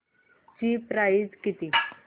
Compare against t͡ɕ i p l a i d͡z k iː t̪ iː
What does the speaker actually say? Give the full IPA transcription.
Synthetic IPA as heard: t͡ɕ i p ɾ a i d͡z k i t̪ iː